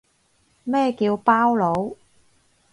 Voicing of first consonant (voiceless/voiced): voiced